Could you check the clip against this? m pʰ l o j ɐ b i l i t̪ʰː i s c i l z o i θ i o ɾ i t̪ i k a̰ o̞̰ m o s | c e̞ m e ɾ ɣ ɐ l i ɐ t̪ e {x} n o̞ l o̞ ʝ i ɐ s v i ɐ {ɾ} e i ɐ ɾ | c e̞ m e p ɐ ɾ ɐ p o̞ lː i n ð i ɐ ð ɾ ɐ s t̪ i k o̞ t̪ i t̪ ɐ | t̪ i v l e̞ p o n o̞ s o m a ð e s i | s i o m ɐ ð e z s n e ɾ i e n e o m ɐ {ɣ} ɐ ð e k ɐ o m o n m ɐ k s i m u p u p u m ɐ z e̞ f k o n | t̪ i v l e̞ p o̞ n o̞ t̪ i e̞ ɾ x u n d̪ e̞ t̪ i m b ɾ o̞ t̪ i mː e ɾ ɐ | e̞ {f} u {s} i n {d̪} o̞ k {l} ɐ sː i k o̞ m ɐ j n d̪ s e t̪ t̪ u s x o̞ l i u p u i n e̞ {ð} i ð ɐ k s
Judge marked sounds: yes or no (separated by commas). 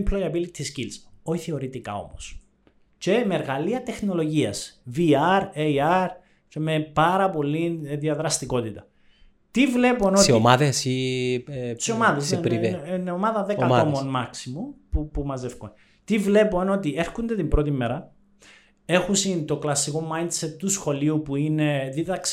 yes, yes, no, no, yes, no, yes, yes